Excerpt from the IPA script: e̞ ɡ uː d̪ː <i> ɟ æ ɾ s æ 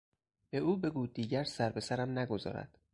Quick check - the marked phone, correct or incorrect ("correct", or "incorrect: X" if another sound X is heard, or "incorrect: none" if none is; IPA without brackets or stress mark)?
incorrect: iː